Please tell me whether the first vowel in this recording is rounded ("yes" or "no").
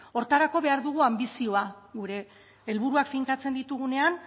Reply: yes